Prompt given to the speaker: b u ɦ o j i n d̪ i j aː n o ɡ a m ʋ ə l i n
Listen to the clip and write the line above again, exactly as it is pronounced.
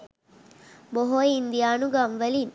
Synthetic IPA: b o ɦ o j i n d̪ i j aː n u ɡ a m ʋ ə l i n

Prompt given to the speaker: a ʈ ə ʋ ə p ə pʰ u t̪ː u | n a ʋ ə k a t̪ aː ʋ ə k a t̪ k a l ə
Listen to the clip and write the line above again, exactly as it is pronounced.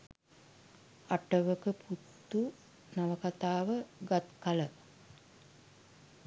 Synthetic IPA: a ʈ ə ʋ ə k ə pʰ u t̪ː u | n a ʋ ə k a t̪ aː ʋ ə ɡ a t̪ k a l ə

